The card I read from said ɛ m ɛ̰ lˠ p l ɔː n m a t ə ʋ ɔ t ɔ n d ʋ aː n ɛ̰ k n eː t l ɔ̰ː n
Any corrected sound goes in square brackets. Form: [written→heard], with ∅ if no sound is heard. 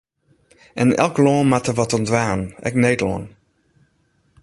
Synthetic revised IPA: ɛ [m→n] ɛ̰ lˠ [p→k] l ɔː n m a t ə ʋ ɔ t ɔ n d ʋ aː n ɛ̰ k n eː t l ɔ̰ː n